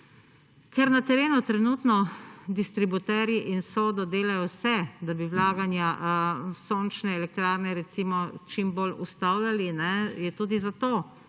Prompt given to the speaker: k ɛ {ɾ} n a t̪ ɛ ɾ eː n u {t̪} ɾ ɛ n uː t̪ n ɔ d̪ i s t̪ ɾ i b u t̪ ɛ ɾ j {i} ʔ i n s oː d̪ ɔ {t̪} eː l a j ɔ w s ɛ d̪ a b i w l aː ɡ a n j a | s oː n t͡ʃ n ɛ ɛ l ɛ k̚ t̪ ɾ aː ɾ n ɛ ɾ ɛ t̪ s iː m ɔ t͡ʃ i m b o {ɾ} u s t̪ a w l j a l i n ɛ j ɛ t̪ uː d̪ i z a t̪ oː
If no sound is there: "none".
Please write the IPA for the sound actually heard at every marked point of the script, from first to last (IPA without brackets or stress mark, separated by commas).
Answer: ɾ, t̪, i, d̪, l